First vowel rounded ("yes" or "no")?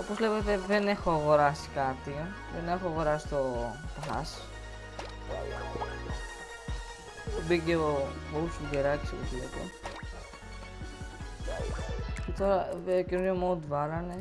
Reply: yes